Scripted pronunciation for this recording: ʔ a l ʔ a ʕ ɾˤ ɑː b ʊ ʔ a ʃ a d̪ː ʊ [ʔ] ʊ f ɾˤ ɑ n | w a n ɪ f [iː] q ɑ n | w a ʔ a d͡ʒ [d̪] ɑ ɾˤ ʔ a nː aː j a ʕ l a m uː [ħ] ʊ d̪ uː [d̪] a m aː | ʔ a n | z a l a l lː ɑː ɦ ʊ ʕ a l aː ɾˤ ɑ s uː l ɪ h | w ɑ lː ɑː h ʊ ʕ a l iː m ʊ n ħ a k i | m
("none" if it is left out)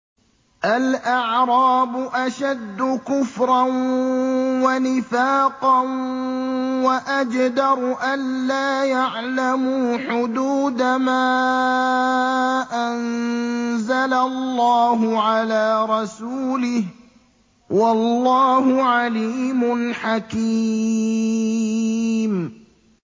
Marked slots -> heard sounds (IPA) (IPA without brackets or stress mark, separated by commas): k, aː, d̪, ħ, d̪